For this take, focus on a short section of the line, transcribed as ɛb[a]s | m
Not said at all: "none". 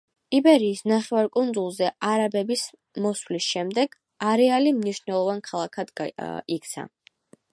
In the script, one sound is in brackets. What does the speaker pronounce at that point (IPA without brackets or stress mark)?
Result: i